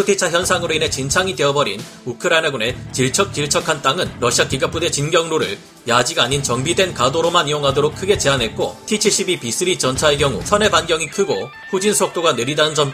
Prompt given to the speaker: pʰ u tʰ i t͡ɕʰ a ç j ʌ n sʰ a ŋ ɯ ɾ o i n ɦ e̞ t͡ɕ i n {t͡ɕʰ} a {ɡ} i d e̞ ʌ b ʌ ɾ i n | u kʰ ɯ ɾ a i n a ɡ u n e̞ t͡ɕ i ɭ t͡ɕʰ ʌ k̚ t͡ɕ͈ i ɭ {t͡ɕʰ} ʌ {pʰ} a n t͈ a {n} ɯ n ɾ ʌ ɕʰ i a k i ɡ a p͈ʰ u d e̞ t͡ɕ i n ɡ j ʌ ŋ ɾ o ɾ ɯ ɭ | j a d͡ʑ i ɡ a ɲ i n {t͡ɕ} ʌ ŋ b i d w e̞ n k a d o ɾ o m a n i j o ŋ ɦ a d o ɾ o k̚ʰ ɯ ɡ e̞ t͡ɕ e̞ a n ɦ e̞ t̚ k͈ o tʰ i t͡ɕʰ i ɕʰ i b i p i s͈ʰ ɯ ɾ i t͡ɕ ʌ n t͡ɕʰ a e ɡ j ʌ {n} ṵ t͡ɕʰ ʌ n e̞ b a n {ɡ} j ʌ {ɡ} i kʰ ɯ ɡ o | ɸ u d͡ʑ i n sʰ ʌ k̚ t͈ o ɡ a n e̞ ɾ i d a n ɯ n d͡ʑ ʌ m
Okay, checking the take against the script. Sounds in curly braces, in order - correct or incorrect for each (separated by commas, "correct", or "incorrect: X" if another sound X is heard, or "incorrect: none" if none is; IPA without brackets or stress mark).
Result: correct, incorrect: ŋ, correct, incorrect: kʰ, incorrect: ŋ, correct, incorrect: ŋ, correct, incorrect: ŋ